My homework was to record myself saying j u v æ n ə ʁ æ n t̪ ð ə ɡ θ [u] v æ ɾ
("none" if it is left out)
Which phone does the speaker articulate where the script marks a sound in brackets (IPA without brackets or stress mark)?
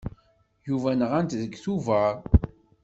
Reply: u